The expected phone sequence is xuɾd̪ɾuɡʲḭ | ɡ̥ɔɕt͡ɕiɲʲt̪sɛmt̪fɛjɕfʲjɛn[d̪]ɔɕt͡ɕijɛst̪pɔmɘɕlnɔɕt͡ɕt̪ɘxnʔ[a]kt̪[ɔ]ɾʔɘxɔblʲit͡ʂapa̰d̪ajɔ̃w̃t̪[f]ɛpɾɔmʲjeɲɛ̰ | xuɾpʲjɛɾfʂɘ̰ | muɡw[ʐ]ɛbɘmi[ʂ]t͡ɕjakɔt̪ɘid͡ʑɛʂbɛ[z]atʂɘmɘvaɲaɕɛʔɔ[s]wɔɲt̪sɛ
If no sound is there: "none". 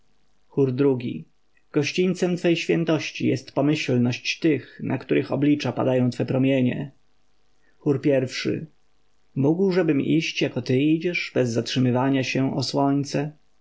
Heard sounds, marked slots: t̪, a, u, f, ʐ, ɕ, zː, s

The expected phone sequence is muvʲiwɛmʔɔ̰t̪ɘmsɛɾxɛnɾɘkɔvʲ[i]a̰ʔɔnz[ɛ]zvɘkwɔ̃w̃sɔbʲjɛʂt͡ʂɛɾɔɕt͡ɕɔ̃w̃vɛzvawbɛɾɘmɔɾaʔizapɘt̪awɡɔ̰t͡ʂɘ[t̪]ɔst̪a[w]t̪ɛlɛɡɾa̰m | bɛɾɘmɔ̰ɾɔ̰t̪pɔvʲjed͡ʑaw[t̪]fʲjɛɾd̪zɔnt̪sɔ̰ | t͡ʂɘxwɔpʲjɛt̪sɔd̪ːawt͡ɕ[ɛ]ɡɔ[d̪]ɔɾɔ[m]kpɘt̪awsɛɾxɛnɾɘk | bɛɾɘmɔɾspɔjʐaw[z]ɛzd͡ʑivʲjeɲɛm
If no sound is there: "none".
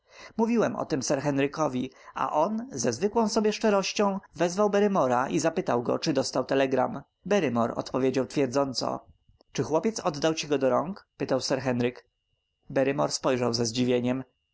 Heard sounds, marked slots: i, ɛ, d̪, w, t̪, i, d̪, ŋ, z

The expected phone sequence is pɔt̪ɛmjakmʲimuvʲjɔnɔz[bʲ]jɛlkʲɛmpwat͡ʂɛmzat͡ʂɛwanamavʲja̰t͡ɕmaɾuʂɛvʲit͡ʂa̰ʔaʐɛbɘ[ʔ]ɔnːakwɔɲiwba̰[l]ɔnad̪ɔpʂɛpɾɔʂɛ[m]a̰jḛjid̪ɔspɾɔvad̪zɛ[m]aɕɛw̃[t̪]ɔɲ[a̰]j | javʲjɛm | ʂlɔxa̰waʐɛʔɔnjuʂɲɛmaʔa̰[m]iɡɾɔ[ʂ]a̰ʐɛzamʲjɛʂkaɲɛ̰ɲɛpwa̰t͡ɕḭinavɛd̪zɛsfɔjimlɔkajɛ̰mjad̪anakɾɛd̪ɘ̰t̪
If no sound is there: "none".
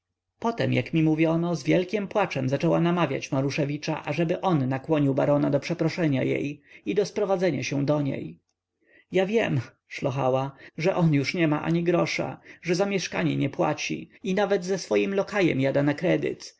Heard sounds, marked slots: vʲ, ʔ, ɾ, ɲ, ɲ, d̪, ḛ, ɲ, ʂ

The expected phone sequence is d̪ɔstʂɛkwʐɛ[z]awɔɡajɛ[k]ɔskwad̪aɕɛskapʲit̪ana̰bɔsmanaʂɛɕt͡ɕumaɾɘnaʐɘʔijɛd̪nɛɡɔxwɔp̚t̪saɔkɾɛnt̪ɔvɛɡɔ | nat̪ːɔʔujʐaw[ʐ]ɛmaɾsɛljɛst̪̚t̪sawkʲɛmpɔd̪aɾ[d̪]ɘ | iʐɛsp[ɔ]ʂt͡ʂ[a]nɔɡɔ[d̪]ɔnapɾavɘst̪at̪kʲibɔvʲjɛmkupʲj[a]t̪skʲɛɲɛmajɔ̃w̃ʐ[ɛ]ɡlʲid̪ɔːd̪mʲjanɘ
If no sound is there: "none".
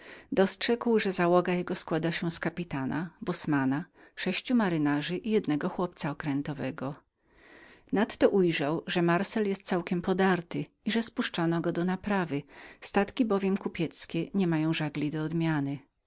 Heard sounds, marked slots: z, ɡ, ʐ, t̪, u, a, d̪, ɛ, a

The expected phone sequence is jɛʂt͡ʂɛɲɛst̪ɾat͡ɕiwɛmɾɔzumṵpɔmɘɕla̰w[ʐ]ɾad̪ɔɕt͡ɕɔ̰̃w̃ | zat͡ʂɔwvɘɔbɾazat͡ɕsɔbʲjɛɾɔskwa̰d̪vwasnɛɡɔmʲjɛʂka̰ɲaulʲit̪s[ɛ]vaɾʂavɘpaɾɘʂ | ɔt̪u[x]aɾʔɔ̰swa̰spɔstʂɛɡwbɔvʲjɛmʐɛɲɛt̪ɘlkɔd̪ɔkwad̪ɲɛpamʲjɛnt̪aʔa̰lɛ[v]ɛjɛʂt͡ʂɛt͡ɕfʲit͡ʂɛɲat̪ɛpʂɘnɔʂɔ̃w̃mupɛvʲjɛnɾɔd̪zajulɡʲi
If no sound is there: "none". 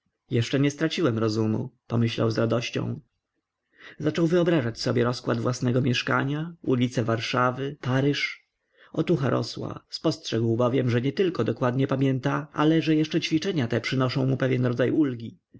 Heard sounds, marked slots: z, ɛ, x, ʐ

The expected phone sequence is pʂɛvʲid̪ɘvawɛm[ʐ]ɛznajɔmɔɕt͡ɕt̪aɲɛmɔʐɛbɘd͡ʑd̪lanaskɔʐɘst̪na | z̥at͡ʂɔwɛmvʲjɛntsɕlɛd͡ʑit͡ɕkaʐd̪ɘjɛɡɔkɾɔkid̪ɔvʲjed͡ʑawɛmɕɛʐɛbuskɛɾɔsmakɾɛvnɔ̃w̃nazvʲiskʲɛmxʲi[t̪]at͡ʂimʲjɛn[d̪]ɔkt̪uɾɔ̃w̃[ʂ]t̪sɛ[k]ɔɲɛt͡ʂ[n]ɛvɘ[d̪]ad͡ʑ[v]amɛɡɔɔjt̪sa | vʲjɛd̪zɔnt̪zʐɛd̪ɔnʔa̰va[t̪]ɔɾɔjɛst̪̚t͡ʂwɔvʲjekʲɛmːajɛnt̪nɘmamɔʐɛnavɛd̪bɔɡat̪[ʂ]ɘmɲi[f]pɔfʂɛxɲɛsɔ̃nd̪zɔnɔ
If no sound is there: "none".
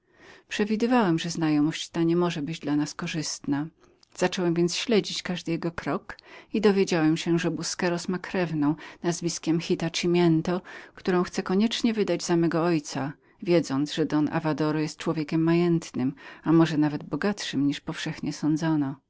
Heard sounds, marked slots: ʐ, t̪, t̪, x, k, ɲ, d̪, z, d̪, ʂ, ʂ

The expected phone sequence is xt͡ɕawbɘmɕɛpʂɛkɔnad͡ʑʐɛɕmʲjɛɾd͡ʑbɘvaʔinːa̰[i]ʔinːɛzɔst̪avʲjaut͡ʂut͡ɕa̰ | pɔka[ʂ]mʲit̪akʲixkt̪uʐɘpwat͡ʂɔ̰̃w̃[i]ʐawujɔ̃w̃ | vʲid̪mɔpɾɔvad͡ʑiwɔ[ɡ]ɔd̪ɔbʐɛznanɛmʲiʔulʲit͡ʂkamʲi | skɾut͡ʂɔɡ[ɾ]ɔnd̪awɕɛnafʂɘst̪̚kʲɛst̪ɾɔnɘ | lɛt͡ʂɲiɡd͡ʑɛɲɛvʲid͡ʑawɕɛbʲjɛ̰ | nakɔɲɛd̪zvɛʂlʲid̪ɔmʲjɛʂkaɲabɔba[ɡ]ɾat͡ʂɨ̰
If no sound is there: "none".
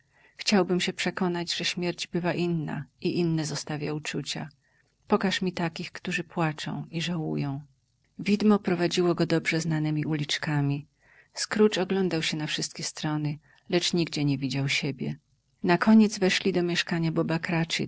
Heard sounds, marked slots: i, ʂ, i, ɡ, l, k

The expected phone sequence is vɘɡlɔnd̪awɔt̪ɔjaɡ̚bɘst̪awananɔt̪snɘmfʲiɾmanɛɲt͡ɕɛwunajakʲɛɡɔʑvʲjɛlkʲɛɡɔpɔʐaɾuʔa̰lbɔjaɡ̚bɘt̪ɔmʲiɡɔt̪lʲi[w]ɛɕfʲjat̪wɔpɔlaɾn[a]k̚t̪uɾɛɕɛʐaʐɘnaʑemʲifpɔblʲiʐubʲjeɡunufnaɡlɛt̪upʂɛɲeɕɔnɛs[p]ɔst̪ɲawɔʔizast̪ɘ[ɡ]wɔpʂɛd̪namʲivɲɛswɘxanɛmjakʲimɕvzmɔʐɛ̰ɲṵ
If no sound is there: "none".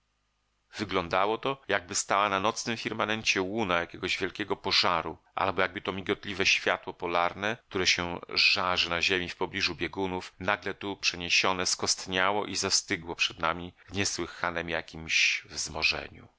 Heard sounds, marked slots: v, ɛ, k, ɡ

